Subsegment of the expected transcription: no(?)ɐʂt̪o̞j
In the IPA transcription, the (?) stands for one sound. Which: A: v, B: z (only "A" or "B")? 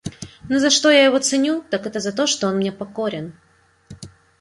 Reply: B